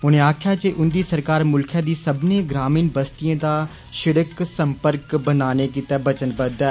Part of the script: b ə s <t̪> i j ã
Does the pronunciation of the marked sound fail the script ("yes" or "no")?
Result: no